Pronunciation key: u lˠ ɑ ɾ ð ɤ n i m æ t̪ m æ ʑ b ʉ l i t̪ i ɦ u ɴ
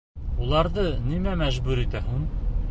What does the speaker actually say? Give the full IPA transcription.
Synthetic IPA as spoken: u lˠ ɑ ɾ ð ɤ n i m æ m æ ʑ b ʉ ɾ i t̪ æ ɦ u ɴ